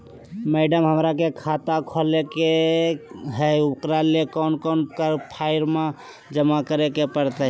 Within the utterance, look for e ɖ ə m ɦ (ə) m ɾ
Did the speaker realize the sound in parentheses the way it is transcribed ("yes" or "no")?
yes